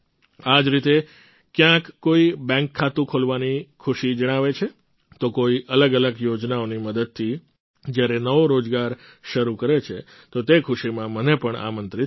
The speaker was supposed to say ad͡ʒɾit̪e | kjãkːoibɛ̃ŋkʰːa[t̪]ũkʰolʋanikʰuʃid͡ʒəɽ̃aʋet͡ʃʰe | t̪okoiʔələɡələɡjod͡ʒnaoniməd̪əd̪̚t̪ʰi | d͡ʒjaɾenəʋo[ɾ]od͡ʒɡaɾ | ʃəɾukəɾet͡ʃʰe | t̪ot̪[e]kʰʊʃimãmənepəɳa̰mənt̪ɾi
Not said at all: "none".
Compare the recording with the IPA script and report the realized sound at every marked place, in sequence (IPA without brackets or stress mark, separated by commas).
t̪, ɾ, e